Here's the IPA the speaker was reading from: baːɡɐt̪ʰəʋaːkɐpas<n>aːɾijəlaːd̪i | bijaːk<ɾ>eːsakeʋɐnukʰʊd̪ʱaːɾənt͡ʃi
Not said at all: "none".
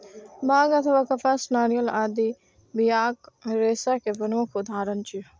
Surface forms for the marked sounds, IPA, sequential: n, ɾ

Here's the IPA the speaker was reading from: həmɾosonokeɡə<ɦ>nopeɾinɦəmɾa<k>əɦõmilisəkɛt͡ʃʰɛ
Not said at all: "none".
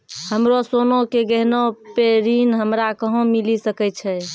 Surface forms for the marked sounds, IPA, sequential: ɦ, k

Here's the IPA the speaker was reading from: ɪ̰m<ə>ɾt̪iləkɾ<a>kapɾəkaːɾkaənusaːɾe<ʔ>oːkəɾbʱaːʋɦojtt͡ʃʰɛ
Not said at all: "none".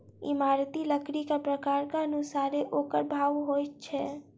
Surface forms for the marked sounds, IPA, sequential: a, i, ʔ

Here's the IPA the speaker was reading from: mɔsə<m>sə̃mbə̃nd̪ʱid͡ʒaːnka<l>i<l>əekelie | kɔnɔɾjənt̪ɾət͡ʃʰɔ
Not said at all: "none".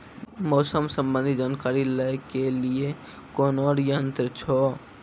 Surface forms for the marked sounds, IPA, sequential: m, ɾ, l

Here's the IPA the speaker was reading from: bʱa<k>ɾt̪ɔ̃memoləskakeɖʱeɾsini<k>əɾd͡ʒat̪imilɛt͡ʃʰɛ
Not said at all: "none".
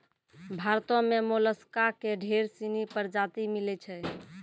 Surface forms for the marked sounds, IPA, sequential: none, p

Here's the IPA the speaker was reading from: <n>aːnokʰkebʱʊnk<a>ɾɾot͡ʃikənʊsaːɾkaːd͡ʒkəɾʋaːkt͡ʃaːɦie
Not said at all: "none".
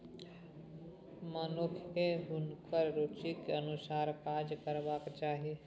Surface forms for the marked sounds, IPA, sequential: m, ə

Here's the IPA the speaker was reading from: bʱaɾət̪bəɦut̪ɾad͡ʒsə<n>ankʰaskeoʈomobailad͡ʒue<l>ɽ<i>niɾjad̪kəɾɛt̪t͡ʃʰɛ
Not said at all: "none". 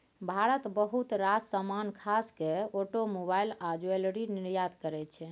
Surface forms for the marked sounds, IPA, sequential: m, l, i

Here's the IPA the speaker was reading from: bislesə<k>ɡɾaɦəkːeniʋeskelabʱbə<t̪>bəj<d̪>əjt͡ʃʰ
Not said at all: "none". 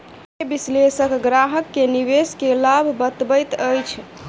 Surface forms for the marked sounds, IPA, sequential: k, t̪, t̪

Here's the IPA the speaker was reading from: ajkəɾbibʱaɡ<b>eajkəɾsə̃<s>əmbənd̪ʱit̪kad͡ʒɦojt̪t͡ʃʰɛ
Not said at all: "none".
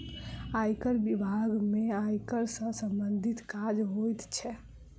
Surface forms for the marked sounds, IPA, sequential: m, s

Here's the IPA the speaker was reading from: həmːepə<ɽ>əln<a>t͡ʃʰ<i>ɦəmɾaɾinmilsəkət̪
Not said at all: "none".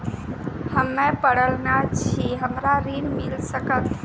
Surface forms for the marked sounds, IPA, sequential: ɽ, a, i

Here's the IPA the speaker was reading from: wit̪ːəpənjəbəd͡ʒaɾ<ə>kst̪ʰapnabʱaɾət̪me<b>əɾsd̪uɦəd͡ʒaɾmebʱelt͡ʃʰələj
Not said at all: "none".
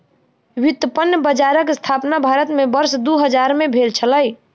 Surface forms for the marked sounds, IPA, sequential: ə, b

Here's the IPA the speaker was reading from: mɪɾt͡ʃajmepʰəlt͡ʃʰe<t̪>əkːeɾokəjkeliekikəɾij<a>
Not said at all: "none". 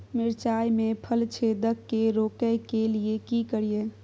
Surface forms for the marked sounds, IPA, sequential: d̪, e

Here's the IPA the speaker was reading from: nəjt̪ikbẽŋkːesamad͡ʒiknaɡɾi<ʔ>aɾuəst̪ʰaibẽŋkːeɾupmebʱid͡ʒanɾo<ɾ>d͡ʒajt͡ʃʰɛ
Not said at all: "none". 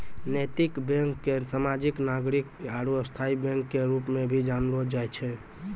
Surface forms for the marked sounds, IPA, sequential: k, none

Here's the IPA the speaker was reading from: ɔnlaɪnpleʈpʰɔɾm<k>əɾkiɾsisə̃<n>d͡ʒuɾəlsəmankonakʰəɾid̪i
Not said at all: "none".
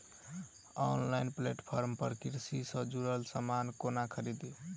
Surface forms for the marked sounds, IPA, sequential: p, none

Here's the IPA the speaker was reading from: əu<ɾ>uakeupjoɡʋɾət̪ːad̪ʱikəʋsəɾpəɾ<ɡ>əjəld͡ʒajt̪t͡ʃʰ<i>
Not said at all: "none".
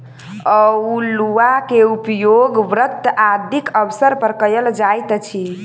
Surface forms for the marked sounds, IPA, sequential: l, k, i

